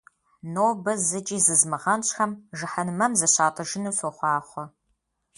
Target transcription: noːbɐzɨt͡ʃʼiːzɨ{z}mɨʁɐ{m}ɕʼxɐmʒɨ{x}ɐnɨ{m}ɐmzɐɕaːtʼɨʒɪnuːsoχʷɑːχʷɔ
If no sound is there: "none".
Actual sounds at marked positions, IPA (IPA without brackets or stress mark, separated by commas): z, n, ħ, m